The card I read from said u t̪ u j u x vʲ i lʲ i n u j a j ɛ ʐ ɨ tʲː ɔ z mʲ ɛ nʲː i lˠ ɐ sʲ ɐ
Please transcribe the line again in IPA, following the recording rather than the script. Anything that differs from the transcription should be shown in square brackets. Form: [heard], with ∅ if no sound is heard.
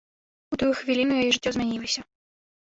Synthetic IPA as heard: u t̪ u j u x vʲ i lʲ i n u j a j ɛ ʐ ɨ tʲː ɔ z mʲ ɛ [nʲ] i lˠ ɐ sʲ ɐ